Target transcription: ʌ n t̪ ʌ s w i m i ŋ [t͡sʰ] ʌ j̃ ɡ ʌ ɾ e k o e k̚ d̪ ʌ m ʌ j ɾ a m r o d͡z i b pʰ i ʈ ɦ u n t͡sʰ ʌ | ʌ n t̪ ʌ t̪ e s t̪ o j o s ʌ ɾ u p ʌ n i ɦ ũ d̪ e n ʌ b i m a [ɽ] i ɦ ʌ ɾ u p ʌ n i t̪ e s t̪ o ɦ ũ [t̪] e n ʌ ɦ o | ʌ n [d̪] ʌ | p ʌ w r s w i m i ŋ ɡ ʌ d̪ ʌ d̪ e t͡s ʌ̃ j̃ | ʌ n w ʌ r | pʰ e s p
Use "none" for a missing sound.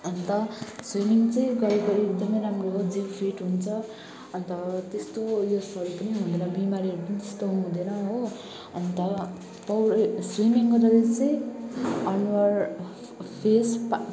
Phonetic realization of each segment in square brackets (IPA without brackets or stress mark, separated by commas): t͡s, ɾ, d̪, t̪